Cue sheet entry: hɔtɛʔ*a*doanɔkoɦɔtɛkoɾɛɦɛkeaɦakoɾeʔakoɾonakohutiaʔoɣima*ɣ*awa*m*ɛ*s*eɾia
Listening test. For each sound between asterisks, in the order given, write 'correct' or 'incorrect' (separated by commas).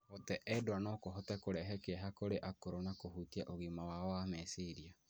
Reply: incorrect, incorrect, correct, correct